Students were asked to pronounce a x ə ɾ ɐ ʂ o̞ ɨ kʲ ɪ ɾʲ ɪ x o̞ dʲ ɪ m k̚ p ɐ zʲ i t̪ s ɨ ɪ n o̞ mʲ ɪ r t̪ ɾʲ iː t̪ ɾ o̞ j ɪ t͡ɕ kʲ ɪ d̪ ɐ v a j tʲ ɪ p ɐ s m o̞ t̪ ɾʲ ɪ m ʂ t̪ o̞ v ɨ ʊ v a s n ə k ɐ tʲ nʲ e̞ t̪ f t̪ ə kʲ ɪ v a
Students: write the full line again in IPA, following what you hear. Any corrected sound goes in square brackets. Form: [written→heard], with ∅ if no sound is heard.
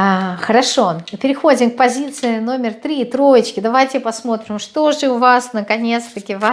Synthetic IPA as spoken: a x ə ɾ ɐ ʂ o̞ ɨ [kʲ→pʲ] ɪ ɾʲ ɪ x o̞ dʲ ɪ m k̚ p ɐ zʲ i t̪ s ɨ ɪ n o̞ mʲ ɪ r t̪ ɾʲ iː t̪ ɾ o̞ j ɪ t͡ɕ kʲ ɪ d̪ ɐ v a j tʲ ɪ p ɐ s m o̞ t̪ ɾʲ ɪ m ʂ t̪ o̞ [v→ʐ] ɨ ʊ v a s n ə k ɐ [tʲ→∅] nʲ e̞ t̪ [f→s] t̪ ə kʲ ɪ v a